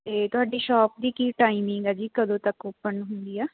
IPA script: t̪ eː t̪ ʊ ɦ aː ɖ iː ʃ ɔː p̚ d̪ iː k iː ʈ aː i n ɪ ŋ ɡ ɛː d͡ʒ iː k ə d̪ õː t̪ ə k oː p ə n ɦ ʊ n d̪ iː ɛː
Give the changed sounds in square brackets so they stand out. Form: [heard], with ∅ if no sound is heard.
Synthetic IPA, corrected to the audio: t̪ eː t̪ ʊ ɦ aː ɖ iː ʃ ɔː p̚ d̪ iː k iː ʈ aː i [m] ɪ ŋ ɡ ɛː d͡ʒ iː k ə d̪ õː t̪ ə k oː p ə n ɦ ʊ n d̪ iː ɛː

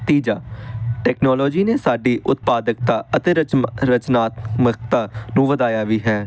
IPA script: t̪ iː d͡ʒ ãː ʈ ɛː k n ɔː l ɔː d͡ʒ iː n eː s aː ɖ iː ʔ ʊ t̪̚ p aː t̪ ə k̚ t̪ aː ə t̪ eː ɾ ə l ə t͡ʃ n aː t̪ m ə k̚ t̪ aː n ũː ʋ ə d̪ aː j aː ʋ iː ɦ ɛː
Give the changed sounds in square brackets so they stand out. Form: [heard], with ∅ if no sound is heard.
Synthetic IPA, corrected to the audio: t̪ iː d͡ʒ [aː] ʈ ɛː k n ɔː l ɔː d͡ʒ iː n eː s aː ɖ iː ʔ ʊ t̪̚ p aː [d̪] ə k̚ t̪ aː ə t̪ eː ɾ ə [ɾ] ə t͡ʃ n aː t̪ m ə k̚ t̪ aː n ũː ʋ ə d̪ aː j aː ʋ iː ɦ ɛː

